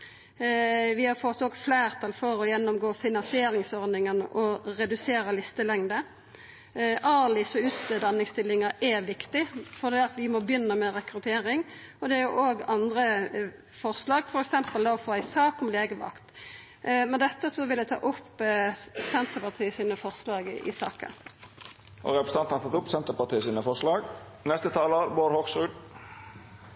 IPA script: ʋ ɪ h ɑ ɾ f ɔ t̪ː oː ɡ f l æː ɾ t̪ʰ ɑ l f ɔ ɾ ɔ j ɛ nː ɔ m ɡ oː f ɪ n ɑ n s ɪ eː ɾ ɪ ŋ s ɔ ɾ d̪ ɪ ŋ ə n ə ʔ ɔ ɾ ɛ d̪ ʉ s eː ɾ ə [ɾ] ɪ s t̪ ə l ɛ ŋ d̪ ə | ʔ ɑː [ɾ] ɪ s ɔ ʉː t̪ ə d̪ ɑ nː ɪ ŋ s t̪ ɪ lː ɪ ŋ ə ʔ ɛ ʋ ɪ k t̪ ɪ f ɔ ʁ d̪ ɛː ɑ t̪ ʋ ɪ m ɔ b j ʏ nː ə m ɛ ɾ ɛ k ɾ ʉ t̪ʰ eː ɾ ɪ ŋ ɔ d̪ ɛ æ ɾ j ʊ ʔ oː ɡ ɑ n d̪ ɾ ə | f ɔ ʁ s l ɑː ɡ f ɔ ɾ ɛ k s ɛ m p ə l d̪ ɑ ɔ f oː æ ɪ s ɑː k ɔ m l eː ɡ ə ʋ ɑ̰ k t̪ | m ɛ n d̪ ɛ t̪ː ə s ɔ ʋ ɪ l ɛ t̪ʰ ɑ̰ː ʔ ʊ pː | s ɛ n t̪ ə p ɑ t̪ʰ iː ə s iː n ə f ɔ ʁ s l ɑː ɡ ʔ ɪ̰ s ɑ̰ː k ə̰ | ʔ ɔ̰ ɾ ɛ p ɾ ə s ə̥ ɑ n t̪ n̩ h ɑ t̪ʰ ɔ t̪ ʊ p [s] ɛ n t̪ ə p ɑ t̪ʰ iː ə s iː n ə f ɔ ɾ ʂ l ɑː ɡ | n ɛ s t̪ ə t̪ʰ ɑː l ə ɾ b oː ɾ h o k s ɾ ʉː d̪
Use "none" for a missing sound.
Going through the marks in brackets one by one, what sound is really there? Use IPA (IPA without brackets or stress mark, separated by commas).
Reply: l, l, s